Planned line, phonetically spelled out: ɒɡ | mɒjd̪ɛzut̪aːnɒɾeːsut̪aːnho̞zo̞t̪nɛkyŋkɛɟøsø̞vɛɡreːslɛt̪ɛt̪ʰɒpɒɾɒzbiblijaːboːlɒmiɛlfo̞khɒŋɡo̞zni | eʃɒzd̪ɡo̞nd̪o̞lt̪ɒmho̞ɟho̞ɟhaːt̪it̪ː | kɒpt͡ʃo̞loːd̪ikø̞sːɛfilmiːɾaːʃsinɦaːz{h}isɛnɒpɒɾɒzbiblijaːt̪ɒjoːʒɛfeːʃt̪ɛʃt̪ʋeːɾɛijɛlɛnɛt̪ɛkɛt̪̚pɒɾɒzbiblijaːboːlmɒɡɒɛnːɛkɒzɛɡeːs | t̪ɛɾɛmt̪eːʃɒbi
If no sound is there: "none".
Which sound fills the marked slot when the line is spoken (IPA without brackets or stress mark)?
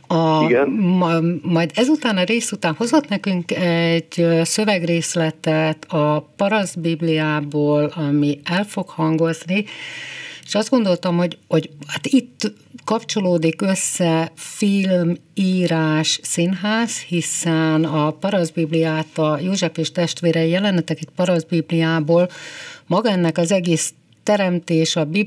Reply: h